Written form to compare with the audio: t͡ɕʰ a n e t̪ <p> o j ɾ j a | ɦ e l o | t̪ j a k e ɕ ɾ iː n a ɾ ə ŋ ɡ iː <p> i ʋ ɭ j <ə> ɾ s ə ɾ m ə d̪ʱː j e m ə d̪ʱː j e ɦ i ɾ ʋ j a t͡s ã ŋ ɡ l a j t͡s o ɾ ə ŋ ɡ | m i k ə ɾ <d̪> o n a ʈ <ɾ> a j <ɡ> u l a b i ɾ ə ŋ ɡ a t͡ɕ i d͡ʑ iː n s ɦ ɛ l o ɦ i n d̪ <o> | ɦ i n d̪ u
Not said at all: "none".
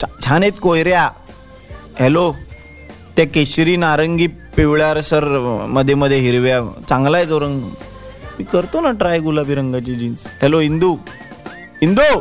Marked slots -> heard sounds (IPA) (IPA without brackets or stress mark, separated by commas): k, p, a, t̪, ɾ, ɡ, u